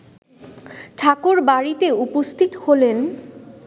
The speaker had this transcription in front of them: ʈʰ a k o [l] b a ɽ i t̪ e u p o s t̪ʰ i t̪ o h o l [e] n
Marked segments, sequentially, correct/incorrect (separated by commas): incorrect, correct